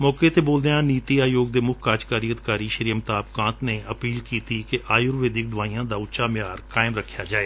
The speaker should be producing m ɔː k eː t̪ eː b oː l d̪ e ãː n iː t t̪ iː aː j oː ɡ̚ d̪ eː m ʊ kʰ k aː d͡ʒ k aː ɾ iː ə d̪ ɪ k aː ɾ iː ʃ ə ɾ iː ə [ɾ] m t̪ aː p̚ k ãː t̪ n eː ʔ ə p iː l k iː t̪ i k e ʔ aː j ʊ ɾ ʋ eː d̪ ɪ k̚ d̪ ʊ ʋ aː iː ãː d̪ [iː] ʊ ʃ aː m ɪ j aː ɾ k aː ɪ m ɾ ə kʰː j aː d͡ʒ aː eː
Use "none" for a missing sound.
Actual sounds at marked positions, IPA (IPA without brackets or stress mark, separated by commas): none, aː